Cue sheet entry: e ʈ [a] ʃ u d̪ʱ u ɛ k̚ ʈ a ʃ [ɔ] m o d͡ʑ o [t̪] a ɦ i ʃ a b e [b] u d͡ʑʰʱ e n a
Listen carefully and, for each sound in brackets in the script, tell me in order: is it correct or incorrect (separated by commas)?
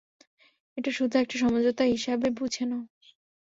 correct, correct, correct, correct